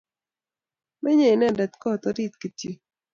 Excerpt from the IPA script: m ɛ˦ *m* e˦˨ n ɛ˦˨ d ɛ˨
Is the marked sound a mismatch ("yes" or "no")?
yes